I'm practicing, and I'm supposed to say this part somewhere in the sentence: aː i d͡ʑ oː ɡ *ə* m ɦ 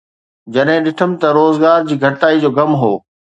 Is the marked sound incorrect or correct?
incorrect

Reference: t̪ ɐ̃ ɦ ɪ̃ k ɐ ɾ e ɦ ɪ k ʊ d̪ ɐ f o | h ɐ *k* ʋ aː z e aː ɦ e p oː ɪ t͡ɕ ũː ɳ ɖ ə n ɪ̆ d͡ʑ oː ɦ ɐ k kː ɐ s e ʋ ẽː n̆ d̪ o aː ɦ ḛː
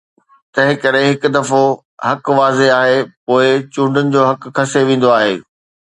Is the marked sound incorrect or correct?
correct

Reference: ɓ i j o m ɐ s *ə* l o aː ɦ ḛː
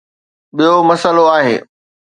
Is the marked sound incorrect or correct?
correct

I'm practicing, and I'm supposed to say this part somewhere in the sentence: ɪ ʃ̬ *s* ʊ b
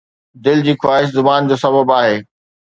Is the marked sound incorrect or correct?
incorrect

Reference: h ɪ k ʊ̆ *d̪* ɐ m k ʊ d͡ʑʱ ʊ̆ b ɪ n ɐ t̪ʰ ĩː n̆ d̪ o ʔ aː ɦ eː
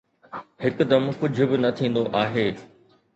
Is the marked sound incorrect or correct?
correct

